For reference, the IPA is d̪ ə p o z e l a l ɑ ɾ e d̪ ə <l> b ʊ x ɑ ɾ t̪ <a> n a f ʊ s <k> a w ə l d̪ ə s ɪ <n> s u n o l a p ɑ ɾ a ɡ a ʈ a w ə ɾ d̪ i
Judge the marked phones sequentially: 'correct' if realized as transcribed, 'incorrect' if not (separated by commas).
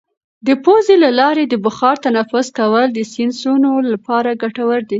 incorrect, correct, correct, correct